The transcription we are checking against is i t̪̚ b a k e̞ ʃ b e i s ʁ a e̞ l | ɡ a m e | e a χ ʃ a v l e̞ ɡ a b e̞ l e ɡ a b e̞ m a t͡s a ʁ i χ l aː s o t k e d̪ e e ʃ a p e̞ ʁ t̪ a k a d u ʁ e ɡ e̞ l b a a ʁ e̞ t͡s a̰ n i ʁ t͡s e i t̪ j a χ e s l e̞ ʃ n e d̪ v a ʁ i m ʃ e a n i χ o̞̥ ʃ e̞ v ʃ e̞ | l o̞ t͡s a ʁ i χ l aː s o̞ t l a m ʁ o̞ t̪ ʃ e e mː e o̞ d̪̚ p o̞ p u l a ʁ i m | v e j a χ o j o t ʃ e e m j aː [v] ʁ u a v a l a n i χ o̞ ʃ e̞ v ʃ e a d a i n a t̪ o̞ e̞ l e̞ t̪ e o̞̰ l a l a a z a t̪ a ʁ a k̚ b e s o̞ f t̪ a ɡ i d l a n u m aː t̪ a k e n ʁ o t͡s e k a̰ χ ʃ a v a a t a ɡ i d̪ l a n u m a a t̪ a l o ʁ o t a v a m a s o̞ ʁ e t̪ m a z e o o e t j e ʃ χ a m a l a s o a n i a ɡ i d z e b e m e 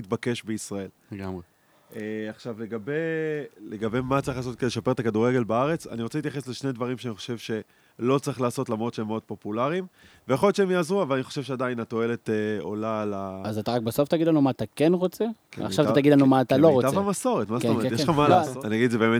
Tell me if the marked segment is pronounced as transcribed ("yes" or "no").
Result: no